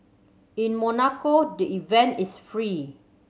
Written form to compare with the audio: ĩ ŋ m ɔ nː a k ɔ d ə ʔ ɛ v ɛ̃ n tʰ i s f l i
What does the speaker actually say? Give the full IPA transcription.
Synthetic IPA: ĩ n m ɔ n a k o d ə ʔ i v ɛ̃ n t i s f ɹ i